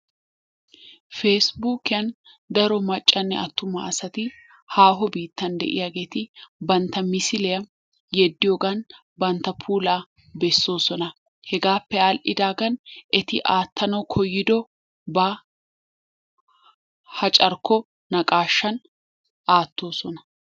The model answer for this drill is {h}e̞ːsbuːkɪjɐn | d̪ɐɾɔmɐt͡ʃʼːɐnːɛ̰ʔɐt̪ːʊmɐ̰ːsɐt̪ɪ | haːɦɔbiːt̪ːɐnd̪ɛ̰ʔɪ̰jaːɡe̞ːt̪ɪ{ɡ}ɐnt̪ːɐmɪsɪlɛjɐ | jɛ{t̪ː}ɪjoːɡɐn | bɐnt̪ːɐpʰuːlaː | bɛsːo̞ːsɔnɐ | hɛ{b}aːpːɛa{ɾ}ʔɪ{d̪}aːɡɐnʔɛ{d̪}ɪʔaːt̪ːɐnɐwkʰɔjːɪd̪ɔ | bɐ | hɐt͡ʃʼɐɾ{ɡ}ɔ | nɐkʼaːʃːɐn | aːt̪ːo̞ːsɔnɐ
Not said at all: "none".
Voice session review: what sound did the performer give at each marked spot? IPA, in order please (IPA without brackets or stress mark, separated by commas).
f, b, d̪ː, ɡ, l, d̪, t̪, k